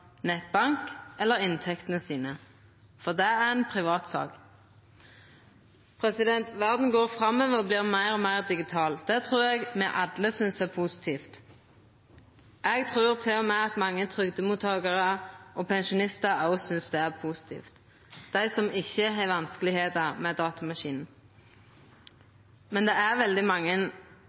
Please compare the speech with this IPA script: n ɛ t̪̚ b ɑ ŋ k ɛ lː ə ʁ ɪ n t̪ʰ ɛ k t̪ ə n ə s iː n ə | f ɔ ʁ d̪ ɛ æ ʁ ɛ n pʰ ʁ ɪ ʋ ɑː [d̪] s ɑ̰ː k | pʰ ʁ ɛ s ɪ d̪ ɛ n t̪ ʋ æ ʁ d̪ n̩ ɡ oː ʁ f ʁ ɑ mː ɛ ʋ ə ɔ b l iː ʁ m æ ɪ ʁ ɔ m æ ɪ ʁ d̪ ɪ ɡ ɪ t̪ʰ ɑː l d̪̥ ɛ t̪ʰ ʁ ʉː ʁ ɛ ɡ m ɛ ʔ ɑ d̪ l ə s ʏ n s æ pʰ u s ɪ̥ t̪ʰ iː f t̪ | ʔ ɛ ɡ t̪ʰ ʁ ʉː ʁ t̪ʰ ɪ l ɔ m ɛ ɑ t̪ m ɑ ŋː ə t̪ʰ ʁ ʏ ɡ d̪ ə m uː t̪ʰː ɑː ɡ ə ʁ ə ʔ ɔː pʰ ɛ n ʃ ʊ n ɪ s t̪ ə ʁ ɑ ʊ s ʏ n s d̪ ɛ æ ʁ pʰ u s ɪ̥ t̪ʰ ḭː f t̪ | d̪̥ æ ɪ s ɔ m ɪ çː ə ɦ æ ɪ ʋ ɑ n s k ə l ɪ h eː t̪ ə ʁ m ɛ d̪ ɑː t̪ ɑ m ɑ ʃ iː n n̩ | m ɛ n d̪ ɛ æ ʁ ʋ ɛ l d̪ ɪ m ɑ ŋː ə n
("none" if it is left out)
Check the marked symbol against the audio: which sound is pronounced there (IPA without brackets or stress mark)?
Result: t̪